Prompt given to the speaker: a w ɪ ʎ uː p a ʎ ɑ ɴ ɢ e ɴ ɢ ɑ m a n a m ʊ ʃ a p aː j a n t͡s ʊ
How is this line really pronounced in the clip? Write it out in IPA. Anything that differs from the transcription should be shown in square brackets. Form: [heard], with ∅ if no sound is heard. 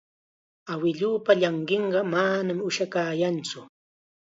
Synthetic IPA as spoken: a w ɪ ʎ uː p a ʎ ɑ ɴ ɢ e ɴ ɢ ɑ m a n a m ʊ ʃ a [k] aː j a n t͡s ʊ